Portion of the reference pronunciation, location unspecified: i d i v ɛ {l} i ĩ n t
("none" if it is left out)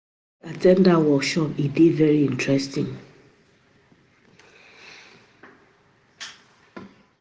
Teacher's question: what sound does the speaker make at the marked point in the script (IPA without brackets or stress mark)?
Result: ɹ